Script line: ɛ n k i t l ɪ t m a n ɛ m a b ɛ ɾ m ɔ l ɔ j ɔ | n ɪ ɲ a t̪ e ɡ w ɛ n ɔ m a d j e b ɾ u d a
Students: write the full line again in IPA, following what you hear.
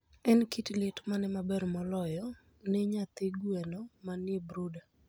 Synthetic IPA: ɛ n k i t l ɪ t m a n ɛ m a b ɛ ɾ m ɔ l ɔ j ɔ | n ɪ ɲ a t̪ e ɡ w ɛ n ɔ m a n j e b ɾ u d a

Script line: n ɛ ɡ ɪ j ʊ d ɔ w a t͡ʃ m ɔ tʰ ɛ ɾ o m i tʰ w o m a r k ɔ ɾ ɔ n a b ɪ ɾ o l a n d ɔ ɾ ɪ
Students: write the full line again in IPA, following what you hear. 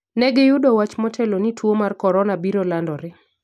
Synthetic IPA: n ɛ ɡ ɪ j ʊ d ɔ w a t͡ʃ m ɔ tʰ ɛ l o n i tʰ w o m a r k ɔ ɾ ɔ n a b i ɾ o l a n d ɔ ɾ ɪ

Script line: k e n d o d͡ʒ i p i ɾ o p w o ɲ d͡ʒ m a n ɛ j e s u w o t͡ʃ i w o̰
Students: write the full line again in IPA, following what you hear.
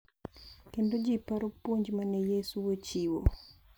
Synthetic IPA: k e n d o d͡ʒ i p a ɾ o p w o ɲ d͡ʒ m a n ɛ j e s u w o t͡ʃ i w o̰

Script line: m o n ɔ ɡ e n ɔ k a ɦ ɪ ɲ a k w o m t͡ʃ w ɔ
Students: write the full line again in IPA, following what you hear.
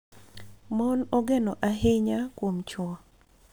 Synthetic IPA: m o n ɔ ɡ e n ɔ ʔ a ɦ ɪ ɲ a k w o m t͡ʃ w ɔ

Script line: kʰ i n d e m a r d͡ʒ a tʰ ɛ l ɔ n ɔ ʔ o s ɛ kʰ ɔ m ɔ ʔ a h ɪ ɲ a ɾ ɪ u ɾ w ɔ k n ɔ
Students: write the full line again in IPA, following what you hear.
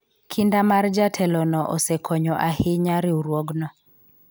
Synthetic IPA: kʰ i n d a m a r d͡ʒ a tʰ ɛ l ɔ n ɔ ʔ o s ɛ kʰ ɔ ɲ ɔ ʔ a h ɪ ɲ a ɾ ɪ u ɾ w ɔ ɡ n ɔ

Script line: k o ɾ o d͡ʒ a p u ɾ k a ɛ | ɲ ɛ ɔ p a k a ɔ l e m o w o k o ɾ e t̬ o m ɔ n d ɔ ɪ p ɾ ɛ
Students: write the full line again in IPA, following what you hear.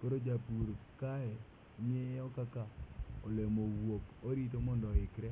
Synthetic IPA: k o ɾ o d͡ʒ a p u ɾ k a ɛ | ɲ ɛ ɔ k a k a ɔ l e m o w o k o ɾ i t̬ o m ɔ n d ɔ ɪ k ɾ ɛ

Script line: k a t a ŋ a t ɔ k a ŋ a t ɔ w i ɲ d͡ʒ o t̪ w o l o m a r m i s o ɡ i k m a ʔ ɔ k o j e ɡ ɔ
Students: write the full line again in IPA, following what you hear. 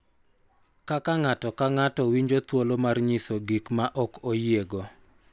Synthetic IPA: k a k a ŋ a t ɔ k a ŋ a t ɔ w i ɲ d͡ʒ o t̪ w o l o m a r ɲ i s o ɡ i k m a ʔ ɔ k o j e ɡ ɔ

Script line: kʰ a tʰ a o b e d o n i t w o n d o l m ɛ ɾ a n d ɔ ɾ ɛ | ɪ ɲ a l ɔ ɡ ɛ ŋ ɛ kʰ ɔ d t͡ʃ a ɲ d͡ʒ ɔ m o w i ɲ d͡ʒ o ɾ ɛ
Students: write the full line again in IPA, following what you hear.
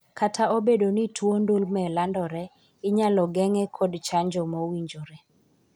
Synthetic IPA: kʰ a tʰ a o b e d o n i t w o n d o l m ɛ l a n d ɔ ɾ ɛ | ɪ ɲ a l ɔ ɡ ɛ ŋ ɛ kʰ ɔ d t͡ʃ a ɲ d͡ʒ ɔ m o w i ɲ d͡ʒ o ɾ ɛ

